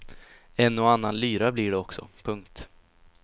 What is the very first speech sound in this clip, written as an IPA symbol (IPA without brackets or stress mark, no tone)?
ɛ